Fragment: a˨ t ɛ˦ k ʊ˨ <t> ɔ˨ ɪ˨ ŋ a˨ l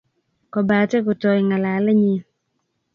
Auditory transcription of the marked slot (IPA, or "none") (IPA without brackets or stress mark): t